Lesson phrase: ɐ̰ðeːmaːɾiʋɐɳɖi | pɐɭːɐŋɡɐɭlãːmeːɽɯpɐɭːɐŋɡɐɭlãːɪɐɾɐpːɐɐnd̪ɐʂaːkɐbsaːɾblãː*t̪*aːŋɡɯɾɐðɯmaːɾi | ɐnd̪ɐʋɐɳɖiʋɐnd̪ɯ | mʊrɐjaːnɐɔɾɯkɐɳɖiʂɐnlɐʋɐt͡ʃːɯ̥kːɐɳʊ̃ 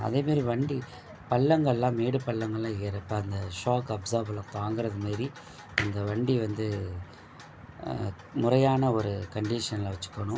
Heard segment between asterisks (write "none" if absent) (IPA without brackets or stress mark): t̪